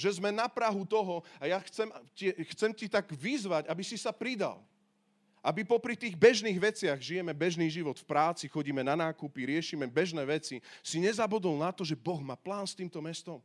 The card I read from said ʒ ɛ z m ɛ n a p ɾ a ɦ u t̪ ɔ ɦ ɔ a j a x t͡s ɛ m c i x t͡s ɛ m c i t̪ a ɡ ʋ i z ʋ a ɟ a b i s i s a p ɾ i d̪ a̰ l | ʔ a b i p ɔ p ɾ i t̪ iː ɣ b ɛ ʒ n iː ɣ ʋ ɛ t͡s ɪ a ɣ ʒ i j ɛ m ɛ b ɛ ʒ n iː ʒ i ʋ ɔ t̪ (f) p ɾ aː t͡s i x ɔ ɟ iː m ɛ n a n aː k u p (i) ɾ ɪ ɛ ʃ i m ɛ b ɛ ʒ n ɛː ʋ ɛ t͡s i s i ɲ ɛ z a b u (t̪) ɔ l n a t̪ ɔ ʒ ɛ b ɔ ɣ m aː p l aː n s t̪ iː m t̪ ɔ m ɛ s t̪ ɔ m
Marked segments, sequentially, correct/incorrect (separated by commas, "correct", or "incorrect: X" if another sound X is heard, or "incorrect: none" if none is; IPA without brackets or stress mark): correct, correct, incorrect: d̪